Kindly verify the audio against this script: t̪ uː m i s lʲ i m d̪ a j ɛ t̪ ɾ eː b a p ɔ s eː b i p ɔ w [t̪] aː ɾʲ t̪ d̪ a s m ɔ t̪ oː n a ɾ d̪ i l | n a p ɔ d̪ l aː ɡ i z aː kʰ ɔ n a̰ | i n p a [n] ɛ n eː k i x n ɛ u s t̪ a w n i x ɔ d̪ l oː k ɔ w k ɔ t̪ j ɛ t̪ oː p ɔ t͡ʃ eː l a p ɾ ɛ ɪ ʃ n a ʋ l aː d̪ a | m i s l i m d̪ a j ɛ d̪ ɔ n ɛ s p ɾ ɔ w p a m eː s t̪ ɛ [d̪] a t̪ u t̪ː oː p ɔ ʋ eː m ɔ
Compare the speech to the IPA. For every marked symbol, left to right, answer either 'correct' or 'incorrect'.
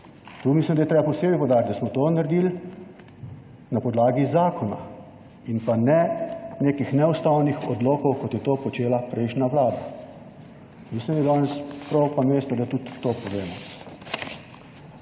incorrect, correct, correct

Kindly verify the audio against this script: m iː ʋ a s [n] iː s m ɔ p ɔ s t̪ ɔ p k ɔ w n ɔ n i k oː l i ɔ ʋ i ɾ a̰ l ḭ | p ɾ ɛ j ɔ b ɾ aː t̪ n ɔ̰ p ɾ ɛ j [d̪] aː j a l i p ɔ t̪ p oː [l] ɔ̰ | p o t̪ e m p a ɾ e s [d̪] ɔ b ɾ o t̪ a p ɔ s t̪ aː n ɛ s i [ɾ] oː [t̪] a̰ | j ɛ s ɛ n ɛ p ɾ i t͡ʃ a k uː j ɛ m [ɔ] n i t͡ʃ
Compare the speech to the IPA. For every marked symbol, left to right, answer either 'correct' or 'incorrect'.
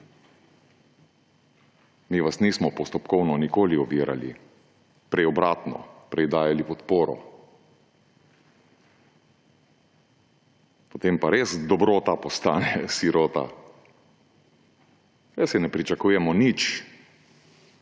correct, correct, incorrect, correct, correct, correct, correct

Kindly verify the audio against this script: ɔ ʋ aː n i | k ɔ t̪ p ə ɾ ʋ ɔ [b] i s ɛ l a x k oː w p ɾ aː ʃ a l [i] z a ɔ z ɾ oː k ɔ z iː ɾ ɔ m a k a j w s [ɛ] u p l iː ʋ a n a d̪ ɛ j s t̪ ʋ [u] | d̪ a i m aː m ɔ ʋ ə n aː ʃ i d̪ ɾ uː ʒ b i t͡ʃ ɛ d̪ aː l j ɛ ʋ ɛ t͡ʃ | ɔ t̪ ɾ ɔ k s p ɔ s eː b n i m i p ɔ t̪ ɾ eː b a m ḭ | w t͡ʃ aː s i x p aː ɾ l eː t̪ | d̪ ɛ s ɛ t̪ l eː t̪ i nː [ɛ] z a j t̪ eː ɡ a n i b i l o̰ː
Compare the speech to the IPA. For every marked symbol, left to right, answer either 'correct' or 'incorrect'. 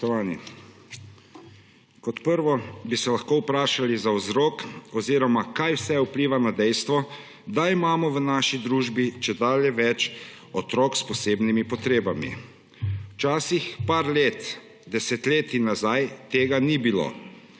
correct, correct, correct, incorrect, incorrect

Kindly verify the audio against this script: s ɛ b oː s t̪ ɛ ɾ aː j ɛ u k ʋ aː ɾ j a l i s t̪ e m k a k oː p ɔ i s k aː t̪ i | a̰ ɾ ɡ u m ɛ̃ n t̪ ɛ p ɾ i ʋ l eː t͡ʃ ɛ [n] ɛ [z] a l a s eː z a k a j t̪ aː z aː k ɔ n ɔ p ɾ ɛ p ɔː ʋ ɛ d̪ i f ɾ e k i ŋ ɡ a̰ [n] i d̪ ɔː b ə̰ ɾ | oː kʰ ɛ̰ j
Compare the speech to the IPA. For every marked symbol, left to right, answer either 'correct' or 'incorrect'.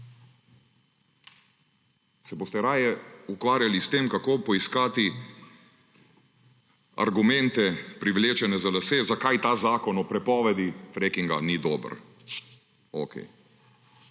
correct, correct, correct

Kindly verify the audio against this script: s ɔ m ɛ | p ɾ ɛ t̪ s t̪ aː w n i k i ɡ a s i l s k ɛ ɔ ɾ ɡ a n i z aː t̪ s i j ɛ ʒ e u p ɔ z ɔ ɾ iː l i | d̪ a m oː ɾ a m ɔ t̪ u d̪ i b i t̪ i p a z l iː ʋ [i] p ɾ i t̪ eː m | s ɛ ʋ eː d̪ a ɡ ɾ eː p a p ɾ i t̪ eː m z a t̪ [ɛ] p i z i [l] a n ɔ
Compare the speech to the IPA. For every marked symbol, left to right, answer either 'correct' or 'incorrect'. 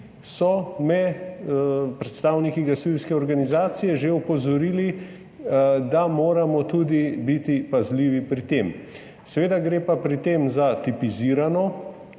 correct, incorrect, incorrect

